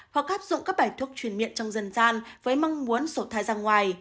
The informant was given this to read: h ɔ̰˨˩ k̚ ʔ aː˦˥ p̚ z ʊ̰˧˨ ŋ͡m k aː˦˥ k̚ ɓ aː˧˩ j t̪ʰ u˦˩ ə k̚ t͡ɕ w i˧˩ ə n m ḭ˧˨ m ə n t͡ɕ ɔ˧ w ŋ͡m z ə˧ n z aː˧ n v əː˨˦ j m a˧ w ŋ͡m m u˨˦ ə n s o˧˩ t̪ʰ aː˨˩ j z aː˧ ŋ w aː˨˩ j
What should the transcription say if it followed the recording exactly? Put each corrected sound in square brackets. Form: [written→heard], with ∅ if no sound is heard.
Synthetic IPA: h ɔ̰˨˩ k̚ ʔ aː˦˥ p̚ z ʊ̰˧˨ ŋ͡m k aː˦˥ k̚ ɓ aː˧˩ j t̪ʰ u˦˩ ə k̚ t͡ɕ w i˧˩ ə n m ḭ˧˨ [m→∅] ə n t͡ɕ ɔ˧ w ŋ͡m z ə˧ n z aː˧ n v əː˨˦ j m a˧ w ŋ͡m m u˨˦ ə n s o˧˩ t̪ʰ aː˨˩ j z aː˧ ŋ w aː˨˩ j

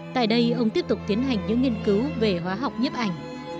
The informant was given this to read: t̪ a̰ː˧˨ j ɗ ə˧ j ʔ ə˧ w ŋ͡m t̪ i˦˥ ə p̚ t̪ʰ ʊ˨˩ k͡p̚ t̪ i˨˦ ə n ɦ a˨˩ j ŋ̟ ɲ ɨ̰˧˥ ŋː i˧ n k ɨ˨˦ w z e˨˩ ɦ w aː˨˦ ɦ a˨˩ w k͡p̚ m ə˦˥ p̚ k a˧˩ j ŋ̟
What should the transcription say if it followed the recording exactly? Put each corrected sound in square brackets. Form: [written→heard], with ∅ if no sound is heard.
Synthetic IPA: t̪ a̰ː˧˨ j ɗ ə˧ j ʔ ə˧ w ŋ͡m t̪ i˦˥ ə p̚ [t̪ʰ→t̪] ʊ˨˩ k͡p̚ t̪ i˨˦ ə n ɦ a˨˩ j ŋ̟ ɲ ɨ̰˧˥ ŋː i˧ n k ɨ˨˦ w [z→v] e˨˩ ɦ w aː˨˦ ɦ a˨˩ w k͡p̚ [m→ɲ] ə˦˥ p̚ [k→ʔ] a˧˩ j ŋ̟

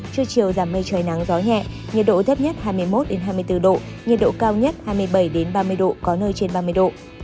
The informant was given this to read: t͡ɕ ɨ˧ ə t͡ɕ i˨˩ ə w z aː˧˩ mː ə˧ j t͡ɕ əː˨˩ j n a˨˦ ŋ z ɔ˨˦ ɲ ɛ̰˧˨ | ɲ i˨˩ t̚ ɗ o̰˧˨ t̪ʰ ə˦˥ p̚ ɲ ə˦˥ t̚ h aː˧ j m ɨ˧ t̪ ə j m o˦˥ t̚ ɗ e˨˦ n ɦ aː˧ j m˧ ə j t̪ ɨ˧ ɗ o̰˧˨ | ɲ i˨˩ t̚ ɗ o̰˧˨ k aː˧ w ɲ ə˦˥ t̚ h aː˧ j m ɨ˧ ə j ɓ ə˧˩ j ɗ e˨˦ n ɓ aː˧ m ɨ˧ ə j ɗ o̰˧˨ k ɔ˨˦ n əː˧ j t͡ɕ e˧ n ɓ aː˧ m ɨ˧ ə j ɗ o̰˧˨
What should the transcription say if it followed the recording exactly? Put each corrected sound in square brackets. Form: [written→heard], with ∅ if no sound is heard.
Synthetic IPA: t͡ɕ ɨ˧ ə t͡ɕ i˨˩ ə w z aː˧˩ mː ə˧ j t͡ɕ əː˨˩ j n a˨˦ ŋ z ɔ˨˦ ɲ ɛ̰˧˨ | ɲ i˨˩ t̚ ɗ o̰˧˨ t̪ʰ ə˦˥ p̚ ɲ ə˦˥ t̚ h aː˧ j m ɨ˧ [t̪→∅] ə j m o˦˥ t̚ ɗ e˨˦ n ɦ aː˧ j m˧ ə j t̪ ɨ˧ ɗ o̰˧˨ | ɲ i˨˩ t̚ ɗ o̰˧˨ k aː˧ w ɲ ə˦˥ t̚ h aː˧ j m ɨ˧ ə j ɓ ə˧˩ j ɗ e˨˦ n ɓ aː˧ m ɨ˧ ə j ɗ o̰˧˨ k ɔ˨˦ n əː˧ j t͡ɕ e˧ n ɓ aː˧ m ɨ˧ ə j ɗ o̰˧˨

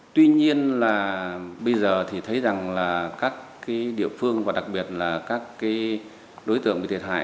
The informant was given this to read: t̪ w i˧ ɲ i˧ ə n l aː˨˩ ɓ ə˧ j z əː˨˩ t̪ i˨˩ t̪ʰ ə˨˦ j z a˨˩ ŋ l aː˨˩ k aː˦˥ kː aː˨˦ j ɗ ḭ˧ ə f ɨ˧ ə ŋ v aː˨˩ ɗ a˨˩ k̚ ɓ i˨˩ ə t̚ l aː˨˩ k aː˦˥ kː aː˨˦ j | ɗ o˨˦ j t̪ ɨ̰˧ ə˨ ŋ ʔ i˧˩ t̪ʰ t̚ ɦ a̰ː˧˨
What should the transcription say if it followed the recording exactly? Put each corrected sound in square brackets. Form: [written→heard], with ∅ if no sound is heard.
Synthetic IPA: t̪ w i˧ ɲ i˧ ə n l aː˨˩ ɓ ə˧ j z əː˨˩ [t̪→t̪ʰ] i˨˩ t̪ʰ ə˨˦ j z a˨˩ ŋ l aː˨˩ k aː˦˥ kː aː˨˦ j ɗ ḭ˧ ə f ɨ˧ ə ŋ v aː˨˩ ɗ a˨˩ k̚ ɓ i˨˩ ə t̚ l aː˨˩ k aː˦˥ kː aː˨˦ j | ɗ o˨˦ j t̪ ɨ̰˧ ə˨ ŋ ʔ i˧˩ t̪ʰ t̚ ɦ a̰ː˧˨

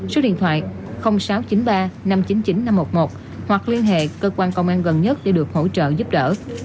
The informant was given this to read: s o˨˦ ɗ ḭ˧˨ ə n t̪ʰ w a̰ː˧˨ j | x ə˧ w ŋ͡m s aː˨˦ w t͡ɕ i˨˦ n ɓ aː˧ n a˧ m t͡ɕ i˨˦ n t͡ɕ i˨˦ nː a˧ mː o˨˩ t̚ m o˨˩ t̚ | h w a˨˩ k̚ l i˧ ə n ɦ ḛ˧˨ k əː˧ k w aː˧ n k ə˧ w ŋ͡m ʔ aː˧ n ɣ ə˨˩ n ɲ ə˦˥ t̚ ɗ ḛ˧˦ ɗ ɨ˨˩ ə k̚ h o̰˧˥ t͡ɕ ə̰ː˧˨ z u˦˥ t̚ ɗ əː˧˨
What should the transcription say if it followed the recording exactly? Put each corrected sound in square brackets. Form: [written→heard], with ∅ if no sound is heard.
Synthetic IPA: s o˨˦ ɗ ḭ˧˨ ə n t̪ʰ w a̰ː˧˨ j | x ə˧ w ŋ͡m s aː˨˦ w t͡ɕ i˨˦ n ɓ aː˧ n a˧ m t͡ɕ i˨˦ n t͡ɕ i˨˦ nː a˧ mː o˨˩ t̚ m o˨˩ t̚ | h w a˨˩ k̚ l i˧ ə n ɦ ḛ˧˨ k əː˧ k w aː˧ n k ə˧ w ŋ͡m ʔ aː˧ n ɣ ə˨˩ n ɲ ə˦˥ t̚ ɗ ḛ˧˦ ɗ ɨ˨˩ ə k̚ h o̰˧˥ t͡ɕ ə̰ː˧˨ z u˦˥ [t̚→p̚] ɗ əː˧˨

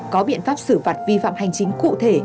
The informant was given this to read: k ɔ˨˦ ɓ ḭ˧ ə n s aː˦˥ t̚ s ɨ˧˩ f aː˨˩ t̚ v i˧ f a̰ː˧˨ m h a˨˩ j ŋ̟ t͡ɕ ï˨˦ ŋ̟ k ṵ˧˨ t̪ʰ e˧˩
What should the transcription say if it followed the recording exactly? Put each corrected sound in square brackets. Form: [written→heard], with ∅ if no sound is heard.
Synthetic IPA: k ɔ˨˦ ɓ ḭ˧ ə n [s→f] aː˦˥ [t̚→p̚] s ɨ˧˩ f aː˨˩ t̚ v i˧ f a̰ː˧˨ m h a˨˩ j ŋ̟ t͡ɕ ï˨˦ ŋ̟ k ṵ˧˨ t̪ʰ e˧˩

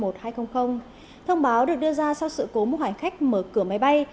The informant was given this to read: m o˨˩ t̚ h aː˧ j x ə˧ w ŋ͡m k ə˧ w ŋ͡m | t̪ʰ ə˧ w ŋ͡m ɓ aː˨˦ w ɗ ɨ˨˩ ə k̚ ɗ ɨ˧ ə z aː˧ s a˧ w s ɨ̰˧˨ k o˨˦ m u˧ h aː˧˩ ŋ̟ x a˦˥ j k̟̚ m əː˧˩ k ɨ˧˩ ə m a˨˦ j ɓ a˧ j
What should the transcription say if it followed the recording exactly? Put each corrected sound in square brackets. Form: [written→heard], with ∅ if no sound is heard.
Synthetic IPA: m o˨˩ t̚ h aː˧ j x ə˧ w ŋ͡m [k→x] ə˧ w ŋ͡m | t̪ʰ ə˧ w ŋ͡m ɓ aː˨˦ w ɗ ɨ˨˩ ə k̚ ɗ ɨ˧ ə z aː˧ s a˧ w s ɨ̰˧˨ k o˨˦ m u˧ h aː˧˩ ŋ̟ x a˦˥ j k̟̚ m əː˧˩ k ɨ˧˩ ə m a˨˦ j ɓ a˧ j

